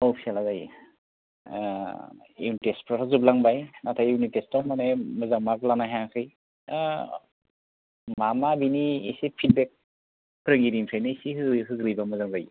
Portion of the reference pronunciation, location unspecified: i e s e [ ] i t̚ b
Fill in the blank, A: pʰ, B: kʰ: A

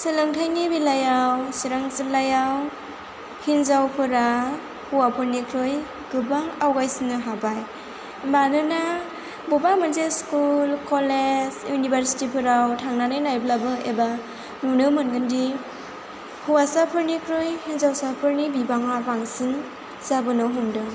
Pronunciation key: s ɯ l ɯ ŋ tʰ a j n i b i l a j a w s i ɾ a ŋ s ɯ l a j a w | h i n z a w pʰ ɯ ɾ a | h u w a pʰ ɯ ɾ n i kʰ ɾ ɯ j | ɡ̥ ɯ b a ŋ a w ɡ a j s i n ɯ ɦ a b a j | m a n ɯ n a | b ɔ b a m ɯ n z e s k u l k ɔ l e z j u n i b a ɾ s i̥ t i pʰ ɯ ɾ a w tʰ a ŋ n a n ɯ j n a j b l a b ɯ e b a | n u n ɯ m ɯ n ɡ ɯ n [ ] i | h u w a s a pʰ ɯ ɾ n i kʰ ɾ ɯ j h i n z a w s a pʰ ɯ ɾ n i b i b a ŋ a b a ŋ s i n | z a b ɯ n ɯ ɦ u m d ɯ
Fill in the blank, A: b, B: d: B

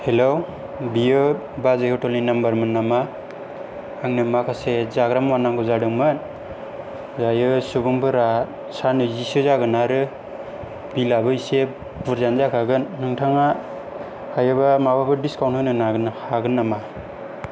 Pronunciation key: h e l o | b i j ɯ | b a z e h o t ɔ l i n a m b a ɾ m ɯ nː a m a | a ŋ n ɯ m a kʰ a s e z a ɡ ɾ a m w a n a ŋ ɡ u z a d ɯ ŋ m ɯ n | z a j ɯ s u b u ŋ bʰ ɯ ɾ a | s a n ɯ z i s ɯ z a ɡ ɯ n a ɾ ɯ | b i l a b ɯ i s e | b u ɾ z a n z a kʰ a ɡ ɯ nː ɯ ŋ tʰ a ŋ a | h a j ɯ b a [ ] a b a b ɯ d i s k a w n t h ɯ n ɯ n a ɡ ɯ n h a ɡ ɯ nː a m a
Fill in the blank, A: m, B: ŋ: A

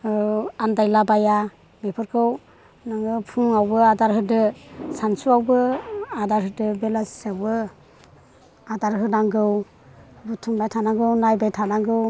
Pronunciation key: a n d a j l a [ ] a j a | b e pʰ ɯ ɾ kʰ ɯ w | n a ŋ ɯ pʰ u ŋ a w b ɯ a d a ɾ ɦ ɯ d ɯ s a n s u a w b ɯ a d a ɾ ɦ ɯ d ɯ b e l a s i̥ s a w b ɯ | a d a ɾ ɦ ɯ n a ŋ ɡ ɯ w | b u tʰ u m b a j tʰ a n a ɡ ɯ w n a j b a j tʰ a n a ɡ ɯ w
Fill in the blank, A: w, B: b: B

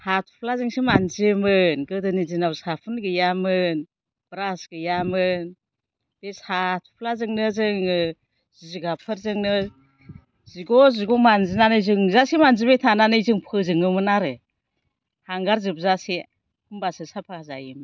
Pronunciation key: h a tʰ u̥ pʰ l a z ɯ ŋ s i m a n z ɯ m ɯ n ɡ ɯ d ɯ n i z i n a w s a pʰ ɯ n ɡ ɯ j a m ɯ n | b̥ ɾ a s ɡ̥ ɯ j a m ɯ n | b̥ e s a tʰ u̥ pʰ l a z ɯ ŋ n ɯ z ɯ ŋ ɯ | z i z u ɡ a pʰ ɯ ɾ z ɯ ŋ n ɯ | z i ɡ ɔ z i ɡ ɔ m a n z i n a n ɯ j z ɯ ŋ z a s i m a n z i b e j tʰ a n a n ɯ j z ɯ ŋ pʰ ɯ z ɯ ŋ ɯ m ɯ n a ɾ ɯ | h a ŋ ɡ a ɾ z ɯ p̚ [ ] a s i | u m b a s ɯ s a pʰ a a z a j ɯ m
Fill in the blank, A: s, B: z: B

